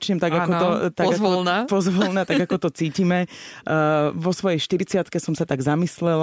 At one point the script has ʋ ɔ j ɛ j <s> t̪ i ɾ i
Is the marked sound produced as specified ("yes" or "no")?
no